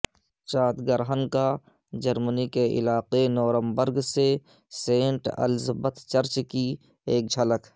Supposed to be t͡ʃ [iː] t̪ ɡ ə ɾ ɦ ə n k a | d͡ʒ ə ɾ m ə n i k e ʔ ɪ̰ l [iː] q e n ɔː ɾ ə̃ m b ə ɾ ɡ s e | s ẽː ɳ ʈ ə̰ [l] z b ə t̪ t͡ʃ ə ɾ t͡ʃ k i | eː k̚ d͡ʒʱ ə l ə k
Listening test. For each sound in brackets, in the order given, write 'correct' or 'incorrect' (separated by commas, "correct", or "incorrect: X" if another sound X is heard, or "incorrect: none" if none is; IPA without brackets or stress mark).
incorrect: aː, incorrect: aː, correct